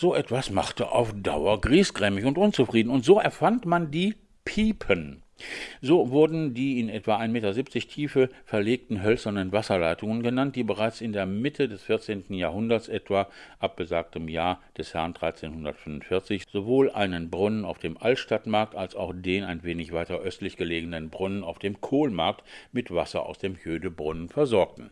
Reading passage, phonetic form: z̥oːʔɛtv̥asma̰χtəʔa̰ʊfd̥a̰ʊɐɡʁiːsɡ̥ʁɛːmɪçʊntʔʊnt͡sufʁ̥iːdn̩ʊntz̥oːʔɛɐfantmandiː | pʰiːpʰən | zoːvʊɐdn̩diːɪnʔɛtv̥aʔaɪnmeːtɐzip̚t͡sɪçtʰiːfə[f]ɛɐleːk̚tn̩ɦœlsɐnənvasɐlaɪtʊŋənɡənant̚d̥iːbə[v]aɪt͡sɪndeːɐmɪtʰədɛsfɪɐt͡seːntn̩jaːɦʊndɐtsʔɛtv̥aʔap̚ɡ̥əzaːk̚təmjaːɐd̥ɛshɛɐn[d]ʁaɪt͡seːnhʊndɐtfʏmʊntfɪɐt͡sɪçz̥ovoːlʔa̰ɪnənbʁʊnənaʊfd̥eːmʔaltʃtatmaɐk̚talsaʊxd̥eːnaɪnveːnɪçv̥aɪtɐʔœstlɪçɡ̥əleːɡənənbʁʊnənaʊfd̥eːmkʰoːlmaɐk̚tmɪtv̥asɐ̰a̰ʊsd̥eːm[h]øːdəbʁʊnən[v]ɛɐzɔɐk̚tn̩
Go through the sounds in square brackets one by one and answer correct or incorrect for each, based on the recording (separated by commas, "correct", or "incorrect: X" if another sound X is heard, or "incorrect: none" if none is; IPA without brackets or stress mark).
correct, incorrect: ʁ, correct, correct, incorrect: f